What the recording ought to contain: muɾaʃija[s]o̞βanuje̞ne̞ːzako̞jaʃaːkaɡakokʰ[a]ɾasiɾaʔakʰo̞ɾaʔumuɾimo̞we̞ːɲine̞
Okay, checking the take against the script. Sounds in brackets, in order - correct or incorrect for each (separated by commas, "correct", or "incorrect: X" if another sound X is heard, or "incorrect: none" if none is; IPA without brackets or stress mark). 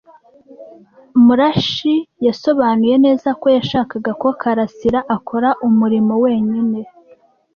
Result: correct, correct